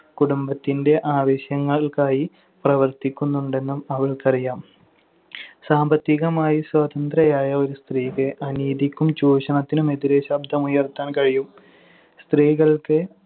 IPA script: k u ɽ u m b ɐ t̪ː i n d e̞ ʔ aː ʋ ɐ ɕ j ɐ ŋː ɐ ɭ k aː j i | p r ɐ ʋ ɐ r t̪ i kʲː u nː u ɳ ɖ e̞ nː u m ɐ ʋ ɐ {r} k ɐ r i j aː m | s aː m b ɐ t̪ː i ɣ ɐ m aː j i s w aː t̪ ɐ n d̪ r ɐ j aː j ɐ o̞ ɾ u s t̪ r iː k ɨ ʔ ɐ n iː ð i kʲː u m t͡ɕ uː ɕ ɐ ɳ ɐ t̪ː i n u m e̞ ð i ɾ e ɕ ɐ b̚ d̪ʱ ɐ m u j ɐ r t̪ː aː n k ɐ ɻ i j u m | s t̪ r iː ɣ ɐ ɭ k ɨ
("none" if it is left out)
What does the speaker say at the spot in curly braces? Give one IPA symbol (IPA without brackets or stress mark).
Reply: ɭ